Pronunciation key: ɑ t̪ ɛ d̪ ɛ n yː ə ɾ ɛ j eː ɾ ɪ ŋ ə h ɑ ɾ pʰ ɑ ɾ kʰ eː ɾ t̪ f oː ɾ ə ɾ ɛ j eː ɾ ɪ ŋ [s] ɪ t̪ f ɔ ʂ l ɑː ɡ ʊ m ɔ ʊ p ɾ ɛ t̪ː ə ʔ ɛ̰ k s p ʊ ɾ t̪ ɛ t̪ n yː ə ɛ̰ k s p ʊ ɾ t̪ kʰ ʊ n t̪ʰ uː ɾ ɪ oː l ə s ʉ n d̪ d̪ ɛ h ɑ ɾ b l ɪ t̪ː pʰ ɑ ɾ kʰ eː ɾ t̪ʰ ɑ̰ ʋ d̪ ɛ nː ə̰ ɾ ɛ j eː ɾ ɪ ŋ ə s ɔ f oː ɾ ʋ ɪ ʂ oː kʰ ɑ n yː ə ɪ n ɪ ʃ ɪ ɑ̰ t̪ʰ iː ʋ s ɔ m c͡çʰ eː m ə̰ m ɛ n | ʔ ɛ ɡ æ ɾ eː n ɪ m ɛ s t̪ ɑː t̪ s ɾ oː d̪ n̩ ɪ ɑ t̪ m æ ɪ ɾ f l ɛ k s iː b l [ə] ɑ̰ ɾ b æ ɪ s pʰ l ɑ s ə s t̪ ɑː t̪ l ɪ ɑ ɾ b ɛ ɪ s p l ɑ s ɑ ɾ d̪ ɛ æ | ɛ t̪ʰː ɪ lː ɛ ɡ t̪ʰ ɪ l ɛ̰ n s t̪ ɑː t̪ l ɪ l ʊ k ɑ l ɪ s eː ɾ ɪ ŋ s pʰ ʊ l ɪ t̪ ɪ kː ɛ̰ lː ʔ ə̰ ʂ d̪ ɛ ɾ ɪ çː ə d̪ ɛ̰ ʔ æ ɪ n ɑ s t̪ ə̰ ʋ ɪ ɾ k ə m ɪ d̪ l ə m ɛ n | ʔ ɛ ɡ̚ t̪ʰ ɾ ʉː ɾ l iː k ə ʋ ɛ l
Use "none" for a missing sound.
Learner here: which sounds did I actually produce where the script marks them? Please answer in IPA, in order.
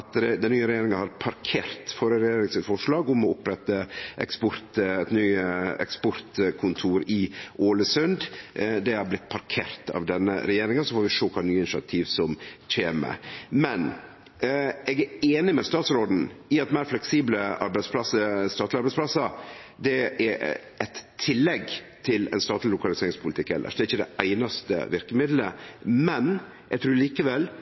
s, ə

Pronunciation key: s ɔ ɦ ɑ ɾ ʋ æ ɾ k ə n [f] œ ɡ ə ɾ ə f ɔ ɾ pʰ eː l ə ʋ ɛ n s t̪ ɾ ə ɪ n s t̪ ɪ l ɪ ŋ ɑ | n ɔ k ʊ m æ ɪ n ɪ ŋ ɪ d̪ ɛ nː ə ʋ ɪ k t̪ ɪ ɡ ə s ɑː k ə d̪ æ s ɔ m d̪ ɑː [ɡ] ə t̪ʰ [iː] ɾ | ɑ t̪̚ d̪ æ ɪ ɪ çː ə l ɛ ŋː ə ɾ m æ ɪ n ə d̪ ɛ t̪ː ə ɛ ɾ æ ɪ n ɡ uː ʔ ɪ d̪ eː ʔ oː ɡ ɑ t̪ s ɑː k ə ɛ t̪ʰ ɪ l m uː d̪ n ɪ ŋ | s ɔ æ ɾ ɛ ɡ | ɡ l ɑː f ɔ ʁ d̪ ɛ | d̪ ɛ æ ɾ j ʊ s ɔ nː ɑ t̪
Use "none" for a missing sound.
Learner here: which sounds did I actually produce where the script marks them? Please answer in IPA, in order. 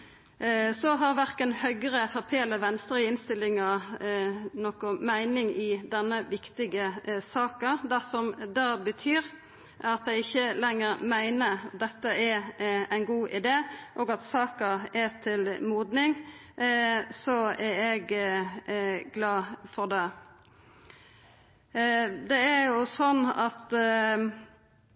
h, b, yː

